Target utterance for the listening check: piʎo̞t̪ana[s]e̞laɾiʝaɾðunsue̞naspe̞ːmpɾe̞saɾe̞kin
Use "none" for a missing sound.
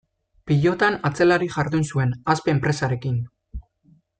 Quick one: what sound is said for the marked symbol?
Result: t͡s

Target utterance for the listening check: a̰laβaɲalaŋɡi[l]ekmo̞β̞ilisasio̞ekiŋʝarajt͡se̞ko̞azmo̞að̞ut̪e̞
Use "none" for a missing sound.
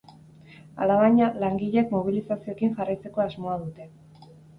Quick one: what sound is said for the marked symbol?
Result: ʎ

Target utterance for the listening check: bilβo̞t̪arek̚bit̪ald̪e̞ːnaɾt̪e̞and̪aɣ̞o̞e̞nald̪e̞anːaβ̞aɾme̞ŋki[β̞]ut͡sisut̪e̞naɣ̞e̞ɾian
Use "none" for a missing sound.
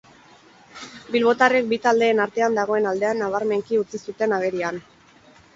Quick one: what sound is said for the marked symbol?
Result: none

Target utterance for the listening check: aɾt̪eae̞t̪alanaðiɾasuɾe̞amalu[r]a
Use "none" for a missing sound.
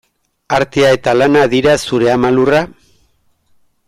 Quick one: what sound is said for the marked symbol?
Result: r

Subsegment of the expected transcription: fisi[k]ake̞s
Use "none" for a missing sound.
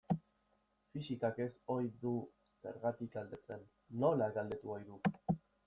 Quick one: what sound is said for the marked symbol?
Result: k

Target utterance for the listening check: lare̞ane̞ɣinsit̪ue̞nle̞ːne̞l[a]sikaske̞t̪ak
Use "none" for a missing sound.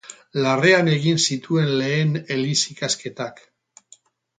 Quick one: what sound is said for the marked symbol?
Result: i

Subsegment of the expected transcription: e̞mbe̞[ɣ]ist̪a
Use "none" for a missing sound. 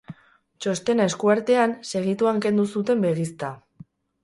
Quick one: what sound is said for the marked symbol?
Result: ɣ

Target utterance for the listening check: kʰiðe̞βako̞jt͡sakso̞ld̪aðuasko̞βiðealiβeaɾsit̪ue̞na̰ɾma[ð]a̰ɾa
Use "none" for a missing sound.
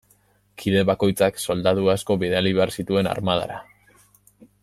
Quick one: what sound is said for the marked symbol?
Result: ð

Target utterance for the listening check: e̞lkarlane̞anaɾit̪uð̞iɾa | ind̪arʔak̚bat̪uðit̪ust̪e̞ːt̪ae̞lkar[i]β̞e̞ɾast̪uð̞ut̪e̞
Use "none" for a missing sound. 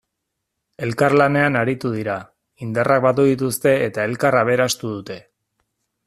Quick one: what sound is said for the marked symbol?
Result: a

